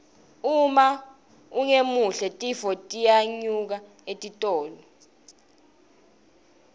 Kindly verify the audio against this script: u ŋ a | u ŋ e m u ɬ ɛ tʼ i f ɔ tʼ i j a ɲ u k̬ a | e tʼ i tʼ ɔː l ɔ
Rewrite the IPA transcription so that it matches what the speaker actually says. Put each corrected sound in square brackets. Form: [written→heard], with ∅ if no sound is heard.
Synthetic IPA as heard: u [ŋ→m] a | u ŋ e m u ɬ ɛ tʼ i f ɔ tʼ i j a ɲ u k̬ a | e tʼ i tʼ ɔː l ɔ